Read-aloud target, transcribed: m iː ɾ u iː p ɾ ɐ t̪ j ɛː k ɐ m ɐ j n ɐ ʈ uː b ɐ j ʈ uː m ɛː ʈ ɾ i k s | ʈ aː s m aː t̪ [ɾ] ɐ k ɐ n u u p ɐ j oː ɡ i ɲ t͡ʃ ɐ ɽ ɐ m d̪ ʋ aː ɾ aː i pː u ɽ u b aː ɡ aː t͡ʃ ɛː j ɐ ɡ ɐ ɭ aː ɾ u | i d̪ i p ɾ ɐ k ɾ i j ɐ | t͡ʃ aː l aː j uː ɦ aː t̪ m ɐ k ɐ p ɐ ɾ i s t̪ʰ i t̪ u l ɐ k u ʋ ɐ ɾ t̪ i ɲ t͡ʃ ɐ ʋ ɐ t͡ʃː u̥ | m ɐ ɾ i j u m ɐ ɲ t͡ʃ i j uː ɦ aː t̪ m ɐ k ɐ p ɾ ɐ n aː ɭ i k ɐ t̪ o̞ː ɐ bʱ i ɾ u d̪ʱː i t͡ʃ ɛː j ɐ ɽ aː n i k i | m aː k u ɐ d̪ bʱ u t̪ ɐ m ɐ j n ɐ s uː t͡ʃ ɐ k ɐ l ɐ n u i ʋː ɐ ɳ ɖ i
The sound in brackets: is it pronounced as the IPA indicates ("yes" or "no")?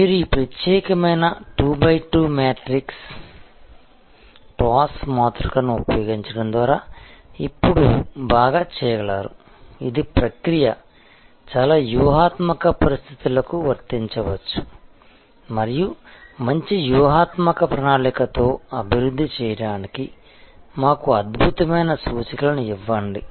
yes